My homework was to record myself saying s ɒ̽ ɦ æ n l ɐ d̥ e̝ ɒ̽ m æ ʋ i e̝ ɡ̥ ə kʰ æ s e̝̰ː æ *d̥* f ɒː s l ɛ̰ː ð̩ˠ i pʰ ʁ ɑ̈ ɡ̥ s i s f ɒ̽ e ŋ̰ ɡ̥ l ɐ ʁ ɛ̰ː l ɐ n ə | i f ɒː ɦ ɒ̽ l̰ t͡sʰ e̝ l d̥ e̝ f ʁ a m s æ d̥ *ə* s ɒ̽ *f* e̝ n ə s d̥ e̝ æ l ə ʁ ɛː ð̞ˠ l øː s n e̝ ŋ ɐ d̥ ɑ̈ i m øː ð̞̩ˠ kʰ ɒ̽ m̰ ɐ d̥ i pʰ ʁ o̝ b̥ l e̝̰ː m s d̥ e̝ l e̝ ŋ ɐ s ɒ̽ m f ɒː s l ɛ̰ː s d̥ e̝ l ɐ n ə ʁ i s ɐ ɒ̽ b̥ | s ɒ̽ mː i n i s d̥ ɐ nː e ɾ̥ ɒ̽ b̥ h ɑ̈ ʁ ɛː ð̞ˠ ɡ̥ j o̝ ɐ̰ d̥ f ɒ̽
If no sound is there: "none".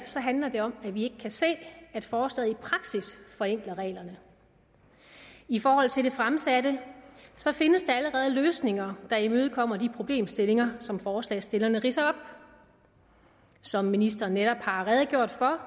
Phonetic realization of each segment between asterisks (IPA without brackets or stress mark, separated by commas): d̥, ə, f